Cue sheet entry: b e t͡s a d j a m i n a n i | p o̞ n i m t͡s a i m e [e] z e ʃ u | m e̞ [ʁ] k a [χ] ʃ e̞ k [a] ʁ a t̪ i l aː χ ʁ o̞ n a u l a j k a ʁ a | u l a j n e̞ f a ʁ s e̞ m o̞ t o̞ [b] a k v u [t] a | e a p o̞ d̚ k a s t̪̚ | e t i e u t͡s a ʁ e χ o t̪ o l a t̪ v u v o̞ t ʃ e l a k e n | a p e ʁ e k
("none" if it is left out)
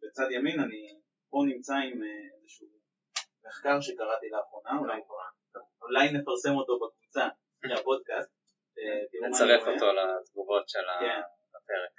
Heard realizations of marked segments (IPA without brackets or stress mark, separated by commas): e, χ, ʁ, a, b, t͡s